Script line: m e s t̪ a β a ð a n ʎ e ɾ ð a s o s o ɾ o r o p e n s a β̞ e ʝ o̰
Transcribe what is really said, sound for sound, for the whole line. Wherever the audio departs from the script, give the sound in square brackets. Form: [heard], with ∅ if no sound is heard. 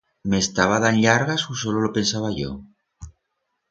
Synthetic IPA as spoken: m e s t̪ a β a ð a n ʎ [a] ɾ [ɣ] a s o s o [l] o [l] o p e n s a β̞ [a] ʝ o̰